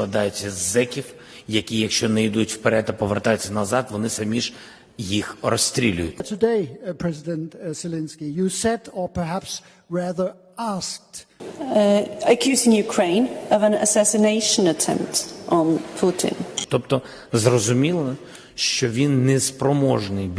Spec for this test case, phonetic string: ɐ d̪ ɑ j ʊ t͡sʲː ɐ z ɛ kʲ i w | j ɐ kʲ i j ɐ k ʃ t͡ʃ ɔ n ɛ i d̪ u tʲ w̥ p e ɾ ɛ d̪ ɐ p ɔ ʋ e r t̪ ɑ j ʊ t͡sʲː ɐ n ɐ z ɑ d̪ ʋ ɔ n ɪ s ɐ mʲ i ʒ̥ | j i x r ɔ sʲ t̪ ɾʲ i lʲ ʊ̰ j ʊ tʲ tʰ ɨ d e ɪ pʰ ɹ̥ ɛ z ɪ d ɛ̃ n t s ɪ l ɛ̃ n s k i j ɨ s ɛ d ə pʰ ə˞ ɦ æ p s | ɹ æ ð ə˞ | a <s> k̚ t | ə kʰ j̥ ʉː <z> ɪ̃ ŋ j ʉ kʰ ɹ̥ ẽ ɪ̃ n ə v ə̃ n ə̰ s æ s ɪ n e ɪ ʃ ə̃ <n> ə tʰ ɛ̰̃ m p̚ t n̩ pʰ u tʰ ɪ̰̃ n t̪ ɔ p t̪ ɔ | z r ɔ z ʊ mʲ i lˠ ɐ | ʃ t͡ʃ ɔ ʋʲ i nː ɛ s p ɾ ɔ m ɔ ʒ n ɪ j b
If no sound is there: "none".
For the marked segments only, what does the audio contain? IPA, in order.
s, z, n

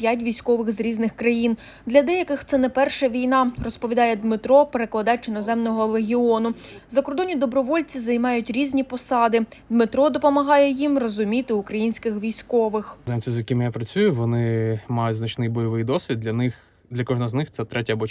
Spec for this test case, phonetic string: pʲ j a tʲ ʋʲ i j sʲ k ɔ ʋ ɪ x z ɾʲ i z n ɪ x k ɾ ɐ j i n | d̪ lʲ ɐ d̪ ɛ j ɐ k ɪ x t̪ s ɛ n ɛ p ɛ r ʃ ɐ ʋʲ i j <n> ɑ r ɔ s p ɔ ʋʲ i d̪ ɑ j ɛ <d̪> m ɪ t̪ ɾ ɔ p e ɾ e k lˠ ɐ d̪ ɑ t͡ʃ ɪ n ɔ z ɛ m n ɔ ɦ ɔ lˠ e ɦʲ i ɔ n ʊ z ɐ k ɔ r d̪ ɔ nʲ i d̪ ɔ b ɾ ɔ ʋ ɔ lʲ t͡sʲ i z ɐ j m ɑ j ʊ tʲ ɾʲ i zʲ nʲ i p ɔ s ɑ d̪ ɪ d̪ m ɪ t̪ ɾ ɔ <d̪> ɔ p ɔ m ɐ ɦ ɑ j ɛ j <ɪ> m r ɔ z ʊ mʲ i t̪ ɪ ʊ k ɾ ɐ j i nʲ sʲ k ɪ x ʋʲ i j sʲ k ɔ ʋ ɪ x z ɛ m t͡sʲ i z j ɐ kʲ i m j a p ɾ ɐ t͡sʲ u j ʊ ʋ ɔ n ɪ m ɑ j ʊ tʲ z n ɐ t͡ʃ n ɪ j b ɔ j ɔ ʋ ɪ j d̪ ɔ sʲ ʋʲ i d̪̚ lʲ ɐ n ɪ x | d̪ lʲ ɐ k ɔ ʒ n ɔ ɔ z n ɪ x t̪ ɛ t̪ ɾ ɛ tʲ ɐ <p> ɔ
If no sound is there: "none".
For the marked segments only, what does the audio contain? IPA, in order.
n, d̪, d̪, i, b

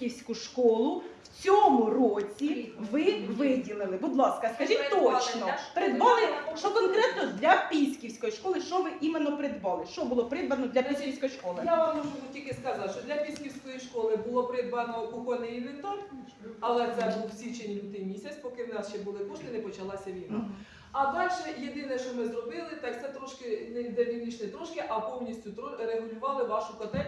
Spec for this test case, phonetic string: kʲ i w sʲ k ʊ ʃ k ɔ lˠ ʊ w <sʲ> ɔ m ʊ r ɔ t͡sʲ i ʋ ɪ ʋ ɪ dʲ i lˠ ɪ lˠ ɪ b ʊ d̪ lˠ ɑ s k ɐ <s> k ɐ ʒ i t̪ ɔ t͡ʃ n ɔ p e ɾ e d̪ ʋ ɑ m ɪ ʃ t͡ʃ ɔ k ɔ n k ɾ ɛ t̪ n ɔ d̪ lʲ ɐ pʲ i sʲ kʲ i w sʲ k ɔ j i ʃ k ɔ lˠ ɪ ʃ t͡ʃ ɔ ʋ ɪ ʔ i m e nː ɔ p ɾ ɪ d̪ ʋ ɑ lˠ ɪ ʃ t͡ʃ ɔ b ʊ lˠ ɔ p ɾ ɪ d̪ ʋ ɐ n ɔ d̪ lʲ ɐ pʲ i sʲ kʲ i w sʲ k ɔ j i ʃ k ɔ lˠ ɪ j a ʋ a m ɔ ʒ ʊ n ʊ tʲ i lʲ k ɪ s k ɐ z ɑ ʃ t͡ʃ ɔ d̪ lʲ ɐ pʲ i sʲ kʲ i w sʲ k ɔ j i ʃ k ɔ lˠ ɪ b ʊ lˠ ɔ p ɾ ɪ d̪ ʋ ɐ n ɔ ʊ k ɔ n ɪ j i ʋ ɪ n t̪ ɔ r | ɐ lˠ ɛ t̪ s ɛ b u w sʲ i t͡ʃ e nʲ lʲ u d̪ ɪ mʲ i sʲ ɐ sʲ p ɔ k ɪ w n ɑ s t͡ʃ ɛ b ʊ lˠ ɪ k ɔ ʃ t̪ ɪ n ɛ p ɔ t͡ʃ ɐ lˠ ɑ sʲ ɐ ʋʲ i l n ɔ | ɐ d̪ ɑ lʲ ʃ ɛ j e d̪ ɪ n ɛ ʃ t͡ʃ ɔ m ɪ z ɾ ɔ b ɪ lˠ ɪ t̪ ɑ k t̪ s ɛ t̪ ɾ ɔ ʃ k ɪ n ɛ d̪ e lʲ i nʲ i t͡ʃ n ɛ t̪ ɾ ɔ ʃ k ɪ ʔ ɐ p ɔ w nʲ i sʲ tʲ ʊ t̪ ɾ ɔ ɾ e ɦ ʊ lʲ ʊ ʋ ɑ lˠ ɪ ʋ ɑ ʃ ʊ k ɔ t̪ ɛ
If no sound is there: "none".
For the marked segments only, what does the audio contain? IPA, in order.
t͡sʲ, s

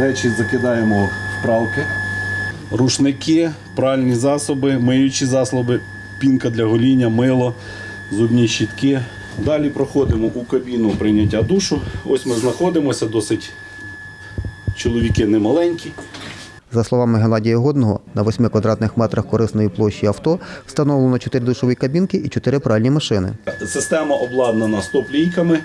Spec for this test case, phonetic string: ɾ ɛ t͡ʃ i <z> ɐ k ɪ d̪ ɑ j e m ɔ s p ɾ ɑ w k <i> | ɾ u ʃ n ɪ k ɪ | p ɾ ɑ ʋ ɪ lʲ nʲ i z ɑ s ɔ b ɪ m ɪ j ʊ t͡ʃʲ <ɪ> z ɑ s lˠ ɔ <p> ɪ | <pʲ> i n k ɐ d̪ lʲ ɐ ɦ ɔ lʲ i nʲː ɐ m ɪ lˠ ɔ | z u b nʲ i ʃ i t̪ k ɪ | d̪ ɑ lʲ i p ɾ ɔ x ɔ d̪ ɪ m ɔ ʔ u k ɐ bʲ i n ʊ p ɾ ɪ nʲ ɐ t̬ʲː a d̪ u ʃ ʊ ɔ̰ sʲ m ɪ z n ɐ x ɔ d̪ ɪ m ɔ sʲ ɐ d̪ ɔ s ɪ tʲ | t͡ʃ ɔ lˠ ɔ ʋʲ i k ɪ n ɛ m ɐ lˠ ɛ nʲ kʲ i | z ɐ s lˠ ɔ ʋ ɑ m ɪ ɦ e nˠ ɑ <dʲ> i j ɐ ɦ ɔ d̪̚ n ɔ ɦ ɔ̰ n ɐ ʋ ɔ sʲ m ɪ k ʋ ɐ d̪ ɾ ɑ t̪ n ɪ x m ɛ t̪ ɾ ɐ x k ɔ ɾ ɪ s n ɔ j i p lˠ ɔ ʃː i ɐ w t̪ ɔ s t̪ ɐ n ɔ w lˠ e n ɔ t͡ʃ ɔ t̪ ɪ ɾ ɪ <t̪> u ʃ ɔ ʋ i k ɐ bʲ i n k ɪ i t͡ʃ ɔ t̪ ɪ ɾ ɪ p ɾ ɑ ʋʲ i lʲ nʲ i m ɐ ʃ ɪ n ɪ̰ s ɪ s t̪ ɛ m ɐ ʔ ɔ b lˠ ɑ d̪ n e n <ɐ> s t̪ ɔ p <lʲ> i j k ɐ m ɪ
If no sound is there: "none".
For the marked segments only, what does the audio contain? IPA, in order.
z, ɪ, i, b, pʲ, dʲ, d̪, ɐ, lʲ

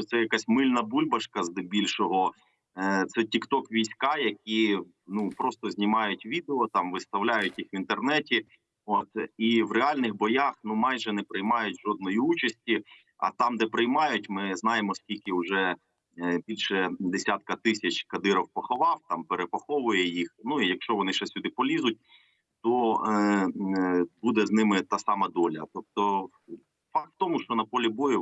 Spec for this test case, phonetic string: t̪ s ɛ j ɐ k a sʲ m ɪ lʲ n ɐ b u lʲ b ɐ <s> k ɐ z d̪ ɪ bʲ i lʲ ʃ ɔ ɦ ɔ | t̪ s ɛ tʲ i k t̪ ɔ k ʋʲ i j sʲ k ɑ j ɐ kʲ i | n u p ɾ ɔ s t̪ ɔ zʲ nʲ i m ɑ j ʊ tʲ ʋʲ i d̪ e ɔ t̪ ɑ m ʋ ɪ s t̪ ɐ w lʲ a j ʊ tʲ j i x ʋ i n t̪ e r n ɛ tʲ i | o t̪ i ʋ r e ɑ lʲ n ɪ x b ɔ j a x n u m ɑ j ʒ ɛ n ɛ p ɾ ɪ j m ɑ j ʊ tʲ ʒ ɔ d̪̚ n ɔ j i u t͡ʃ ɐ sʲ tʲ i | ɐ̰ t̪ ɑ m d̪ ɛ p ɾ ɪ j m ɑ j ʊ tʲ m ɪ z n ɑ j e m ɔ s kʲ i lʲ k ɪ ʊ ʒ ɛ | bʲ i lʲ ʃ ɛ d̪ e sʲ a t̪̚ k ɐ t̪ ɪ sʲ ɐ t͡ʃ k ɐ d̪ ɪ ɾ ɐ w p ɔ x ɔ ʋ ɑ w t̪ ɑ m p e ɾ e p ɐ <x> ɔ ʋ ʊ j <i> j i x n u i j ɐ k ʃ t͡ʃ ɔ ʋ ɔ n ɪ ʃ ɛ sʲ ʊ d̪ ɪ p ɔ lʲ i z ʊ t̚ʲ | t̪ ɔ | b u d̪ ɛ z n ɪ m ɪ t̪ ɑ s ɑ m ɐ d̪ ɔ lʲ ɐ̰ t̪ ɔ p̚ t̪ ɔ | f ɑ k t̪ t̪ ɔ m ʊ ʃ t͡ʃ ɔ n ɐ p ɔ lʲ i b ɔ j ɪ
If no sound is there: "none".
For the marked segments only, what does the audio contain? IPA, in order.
ʃ, x, ɛ

